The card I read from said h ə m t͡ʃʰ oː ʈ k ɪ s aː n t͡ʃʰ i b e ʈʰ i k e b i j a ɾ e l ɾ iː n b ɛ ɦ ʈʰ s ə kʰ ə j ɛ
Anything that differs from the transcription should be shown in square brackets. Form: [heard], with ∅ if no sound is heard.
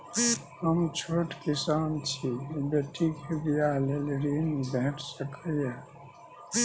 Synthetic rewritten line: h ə m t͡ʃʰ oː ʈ k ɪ s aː n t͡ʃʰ i b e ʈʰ i k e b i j a [l] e l ɾ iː n b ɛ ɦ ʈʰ s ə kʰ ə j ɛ